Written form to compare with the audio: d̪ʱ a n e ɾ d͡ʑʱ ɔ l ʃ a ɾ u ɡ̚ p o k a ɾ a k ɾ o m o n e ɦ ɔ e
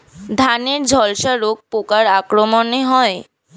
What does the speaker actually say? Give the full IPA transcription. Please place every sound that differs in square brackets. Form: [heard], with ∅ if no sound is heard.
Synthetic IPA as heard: d̪ʱ a n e ɾ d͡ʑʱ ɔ l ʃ a ɾ [o] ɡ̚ p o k a ɾ a k ɾ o m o n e ɦ ɔ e

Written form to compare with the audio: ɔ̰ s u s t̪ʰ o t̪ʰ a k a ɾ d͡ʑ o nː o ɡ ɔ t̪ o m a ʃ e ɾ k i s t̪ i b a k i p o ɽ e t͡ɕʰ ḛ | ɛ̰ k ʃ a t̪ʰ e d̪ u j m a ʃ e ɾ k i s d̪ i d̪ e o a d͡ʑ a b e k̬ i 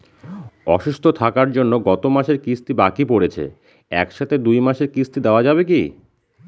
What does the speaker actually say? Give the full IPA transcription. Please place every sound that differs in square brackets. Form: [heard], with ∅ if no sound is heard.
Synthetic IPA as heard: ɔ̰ [ʃ] u s t̪ʰ o t̪ʰ a k a ɾ d͡ʑ o nː o ɡ ɔ t̪ o m a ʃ e ɾ k i s t̪ i b a k i p o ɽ e t͡ɕʰ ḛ | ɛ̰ k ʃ a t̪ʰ e d̪ u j m a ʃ e ɾ k i s [t̪] i d̪ e o a d͡ʑ a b e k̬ i

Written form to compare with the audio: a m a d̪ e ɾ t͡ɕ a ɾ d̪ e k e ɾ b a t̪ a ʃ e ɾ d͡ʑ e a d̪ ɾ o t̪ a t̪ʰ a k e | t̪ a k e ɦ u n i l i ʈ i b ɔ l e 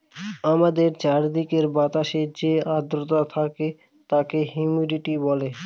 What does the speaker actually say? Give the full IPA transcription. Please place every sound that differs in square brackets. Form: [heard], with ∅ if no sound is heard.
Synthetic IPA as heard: a m a d̪ e ɾ t͡ɕ a ɾ d̪ [i] k e ɾ b a t̪ a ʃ e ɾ d͡ʑ e a d̪ ɾ o t̪ a t̪ʰ a k e | t̪ a k e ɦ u [m] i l i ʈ i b ɔ l e

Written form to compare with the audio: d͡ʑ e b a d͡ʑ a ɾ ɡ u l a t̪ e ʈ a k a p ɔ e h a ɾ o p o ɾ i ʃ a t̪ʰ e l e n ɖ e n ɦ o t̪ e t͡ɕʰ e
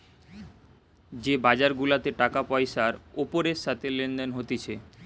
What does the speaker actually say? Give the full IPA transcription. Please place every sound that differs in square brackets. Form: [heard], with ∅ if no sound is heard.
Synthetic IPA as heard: d͡ʑ e b a d͡ʑ a ɾ ɡ u l a t̪ e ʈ a k a p ɔ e [ʃ] a ɾ o p o ɾ [e] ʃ a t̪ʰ e l e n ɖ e n ɦ o t̪ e t͡ɕʰ e

